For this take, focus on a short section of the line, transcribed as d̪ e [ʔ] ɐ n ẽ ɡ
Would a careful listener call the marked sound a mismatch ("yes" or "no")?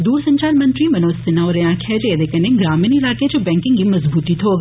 yes